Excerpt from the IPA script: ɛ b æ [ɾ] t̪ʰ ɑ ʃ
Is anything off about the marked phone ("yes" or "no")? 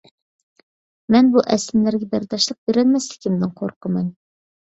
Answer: no